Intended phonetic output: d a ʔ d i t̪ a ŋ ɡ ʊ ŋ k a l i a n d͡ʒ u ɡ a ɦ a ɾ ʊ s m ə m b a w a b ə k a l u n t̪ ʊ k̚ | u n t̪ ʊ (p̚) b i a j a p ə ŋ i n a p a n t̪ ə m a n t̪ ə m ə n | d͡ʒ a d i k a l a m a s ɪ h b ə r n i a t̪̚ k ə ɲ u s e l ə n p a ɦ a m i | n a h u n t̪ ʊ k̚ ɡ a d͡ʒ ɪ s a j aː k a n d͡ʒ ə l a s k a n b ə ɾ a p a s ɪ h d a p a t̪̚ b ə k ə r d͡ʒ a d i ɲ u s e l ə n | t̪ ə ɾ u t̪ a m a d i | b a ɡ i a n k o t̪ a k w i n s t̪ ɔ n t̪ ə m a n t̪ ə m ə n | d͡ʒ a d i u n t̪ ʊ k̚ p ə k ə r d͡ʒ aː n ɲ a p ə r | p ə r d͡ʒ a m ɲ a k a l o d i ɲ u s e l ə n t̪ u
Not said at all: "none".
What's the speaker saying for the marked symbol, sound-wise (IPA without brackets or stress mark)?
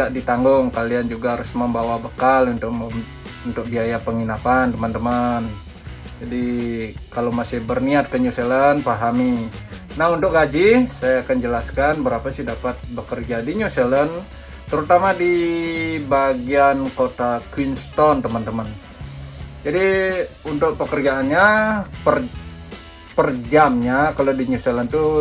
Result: k̚